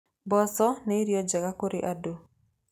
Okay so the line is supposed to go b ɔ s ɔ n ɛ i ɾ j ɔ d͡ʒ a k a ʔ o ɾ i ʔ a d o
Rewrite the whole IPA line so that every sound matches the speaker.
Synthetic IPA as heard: b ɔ s ɔ n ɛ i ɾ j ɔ d͡ʒ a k a k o ɾ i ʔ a d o

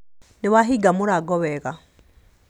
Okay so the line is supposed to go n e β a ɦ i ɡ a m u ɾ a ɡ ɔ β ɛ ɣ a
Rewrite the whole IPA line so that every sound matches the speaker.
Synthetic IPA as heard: n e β a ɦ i ɡ a m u ɾ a ɡ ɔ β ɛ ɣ a

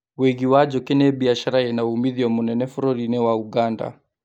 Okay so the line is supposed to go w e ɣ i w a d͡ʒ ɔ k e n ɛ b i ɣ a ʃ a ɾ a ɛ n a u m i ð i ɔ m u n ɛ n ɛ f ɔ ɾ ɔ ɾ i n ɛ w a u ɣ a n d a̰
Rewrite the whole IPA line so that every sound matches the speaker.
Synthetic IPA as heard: w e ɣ i w a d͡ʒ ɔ k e n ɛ b i a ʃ a ɾ a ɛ n a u m i ð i ɔ m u n ɛ n ɛ f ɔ ɾ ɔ ɾ i n ɛ w a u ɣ a n d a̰

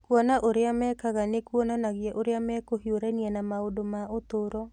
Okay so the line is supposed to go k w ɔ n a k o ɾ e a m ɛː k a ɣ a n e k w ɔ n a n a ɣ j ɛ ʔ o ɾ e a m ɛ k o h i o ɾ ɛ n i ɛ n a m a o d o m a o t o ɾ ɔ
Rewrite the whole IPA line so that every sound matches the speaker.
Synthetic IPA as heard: k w ɔ n a ʔ o ɾ e a m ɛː k a ɣ a n e k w ɔ n a n a ɣ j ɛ ʔ o ɾ e a m ɛ k o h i o ɾ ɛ n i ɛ n a m a o d o m a o t o ɾ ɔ

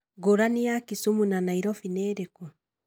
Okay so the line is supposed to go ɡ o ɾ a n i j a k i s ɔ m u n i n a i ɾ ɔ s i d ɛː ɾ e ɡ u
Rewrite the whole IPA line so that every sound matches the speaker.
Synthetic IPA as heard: ɡ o ɾ a n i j a k i s u m u n a n a i ɾ ɔ f i n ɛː ɾ e k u

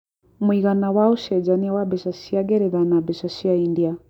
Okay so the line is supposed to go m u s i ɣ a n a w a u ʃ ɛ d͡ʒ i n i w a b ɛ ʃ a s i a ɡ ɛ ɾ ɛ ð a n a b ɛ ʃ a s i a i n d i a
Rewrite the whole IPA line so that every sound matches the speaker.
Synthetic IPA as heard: m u i ɣ a n a w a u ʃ ɛ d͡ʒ a n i w a b ɛ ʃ a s i a ɡ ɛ ɾ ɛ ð a n a b ɛ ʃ a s i a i n d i a

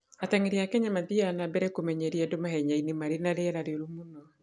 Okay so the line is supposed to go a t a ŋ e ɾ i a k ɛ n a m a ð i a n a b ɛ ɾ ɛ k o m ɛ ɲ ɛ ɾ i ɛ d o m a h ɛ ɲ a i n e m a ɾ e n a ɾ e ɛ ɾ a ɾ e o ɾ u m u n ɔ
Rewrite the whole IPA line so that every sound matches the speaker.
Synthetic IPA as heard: a t a ŋ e ɾ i a k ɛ ɲ a m a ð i a n a b ɛ ɾ ɛ k o m ɛ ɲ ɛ ɾ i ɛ d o m a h ɛ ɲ a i n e m a ɾ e n a ɾ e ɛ ɾ a ɾ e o ɾ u m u n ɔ

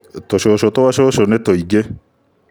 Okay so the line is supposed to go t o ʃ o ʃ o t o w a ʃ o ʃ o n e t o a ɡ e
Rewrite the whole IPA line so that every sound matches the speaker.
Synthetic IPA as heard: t o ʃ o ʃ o t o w a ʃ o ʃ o n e t o i ɡ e

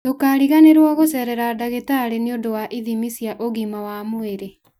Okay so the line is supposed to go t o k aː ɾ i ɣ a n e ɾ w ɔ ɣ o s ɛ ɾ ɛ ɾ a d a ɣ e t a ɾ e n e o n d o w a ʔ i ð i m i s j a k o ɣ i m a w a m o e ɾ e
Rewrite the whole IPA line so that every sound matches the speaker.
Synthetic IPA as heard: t o k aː ɾ i ɣ a n e ɾ w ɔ ɣ o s ɛ ɾ ɛ ɾ a d a ɣ e t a ɾ e n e o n d o w a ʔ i ð i m i s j a ʔ o ɣ i m a w a m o e ɾ e

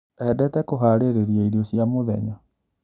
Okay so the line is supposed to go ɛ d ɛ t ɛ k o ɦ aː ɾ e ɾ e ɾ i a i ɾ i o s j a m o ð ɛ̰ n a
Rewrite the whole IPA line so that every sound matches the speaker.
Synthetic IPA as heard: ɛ d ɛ t ɛ k o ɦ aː ɾ e ɾ e ɾ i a i ɾ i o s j a m o ð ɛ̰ ɲ a

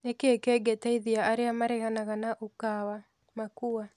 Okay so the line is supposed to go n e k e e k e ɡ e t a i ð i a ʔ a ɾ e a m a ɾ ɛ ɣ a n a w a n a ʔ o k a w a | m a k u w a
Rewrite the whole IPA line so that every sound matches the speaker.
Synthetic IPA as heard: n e k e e k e ɡ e t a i ð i a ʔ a ɾ e a m a ɾ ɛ ɣ a n a ɣ a n a ʔ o k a w a | m a k u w a

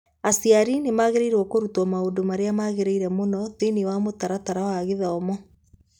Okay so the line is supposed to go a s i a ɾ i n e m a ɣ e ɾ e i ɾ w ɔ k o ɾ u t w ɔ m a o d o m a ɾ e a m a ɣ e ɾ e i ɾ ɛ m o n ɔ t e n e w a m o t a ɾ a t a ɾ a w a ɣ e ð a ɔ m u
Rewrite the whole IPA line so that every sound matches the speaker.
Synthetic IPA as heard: a s i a ɾ i n e m a ɣ e ɾ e i ɾ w ɔ k o ɾ u t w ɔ m a o d o m a ɾ e a m a ɣ e ɾ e i ɾ ɛ m o n ɔ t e n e w a m o t a ɾ a t a ɾ a w a ɣ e ð a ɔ m ɔ

